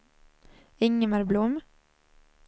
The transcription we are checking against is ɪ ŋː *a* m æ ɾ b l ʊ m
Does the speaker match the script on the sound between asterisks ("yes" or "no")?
no